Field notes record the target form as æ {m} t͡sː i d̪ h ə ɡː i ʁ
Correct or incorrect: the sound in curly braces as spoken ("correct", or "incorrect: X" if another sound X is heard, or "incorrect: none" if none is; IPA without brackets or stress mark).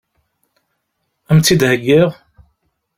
correct